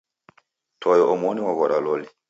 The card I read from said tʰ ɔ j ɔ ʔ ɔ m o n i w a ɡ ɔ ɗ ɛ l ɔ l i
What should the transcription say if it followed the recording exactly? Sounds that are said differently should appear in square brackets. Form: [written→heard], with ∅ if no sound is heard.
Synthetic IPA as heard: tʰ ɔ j ɔ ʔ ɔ m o n i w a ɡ ɔ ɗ [ɛ→a] l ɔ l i